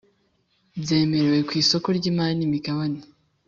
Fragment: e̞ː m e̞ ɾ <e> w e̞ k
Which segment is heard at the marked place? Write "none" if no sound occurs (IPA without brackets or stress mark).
e